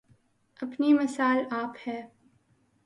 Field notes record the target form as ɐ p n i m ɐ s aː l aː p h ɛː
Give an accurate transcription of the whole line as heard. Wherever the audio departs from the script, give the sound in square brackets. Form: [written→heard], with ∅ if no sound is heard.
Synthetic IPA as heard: ɐ p n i m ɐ s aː l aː p h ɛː